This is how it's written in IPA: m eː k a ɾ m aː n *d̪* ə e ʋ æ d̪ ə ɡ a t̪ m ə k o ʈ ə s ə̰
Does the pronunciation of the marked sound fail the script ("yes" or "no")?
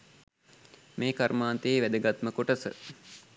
yes